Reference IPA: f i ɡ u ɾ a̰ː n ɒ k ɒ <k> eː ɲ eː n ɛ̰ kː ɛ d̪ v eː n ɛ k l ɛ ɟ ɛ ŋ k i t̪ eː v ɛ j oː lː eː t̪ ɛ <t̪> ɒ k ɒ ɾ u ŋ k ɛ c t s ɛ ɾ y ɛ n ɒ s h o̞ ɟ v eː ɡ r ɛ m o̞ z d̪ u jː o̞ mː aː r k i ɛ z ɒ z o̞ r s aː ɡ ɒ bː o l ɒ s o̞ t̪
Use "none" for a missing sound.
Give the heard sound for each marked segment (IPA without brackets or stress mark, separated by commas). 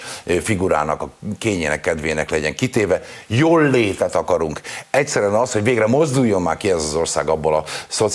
k, t̪